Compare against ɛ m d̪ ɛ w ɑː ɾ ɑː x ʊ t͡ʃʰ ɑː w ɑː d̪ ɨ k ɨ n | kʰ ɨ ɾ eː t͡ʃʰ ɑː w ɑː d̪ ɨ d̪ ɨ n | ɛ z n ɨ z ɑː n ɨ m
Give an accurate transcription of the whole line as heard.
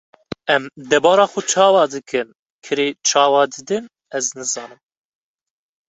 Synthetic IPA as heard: ɛ m d̪ ɛ b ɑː ɾ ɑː x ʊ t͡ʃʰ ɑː w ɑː d̪ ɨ k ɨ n | kʰ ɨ ɾ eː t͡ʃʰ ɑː w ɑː d̪ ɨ d̪ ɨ n | ɛ z n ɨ z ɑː n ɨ m